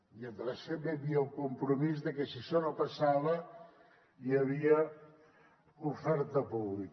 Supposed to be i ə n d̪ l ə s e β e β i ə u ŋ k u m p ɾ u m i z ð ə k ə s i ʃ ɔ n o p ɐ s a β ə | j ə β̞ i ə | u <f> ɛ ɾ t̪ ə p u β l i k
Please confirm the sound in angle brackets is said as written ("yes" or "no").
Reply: yes